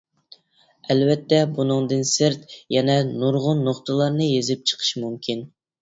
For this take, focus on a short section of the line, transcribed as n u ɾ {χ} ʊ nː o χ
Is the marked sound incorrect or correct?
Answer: incorrect: ʁ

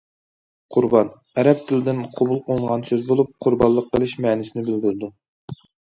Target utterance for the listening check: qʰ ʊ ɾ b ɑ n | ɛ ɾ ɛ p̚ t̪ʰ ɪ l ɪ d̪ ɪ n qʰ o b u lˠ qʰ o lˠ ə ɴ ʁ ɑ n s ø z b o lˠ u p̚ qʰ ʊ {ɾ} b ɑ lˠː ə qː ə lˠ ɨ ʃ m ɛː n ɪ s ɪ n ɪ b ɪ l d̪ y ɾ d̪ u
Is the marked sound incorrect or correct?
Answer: correct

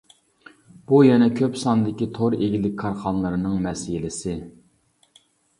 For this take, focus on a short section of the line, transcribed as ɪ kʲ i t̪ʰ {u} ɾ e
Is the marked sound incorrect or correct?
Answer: incorrect: o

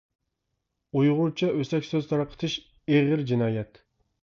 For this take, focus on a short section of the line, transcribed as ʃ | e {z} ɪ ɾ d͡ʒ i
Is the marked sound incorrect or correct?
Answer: incorrect: ʁ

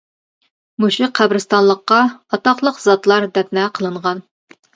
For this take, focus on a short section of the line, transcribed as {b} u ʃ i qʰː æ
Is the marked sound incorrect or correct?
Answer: incorrect: m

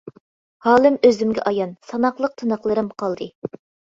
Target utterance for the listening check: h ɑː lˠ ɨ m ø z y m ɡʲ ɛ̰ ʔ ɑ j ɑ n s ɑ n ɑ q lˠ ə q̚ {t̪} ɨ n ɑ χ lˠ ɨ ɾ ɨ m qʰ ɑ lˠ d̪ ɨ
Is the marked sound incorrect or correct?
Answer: incorrect: t̪ʰ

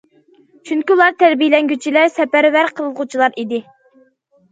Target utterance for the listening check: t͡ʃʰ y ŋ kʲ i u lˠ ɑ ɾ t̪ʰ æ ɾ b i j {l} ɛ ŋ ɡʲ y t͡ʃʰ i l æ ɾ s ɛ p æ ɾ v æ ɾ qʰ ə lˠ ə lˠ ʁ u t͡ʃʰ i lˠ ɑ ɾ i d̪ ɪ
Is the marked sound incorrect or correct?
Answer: correct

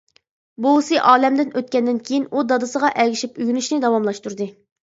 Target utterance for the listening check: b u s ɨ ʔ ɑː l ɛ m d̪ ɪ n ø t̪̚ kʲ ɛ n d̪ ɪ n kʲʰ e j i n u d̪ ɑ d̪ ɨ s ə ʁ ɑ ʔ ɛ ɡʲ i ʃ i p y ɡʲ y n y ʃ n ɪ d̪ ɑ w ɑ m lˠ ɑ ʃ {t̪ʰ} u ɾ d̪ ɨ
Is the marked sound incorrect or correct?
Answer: incorrect: t̪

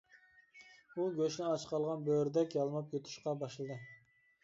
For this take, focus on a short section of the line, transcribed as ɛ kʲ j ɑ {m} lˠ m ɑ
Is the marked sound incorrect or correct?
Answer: incorrect: none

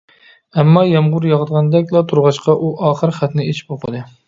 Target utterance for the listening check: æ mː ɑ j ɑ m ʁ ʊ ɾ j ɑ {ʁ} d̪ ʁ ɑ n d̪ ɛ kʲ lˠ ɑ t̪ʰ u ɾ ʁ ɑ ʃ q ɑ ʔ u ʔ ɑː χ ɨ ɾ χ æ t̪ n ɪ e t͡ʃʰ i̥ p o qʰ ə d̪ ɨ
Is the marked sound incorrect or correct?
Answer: correct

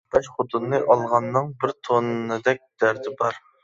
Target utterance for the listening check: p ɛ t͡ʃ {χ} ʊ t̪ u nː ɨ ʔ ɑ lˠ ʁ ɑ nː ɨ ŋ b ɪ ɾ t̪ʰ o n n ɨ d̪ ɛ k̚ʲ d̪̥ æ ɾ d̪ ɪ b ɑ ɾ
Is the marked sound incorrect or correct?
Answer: correct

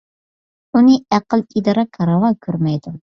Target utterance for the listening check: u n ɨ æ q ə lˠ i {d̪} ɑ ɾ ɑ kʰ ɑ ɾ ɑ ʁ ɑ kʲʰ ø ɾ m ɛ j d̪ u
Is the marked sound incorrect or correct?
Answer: correct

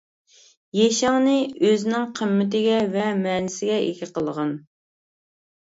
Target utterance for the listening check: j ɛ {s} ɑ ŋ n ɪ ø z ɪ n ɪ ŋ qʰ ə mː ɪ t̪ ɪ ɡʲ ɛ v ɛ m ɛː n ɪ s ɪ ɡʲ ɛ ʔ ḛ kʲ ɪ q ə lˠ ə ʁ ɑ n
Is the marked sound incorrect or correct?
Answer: incorrect: ʃ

